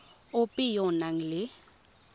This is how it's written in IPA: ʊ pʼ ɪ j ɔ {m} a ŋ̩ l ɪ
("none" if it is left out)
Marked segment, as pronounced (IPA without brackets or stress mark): n